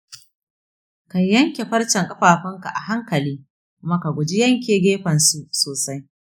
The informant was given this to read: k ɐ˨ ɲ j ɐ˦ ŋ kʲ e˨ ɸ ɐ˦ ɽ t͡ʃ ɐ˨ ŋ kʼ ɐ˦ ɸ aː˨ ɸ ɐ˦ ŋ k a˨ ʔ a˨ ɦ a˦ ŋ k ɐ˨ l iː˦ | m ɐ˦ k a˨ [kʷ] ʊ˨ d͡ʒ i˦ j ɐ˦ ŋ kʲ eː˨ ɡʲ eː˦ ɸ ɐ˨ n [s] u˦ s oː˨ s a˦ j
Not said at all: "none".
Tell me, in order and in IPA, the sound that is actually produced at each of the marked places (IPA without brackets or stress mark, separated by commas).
ɡʷ, s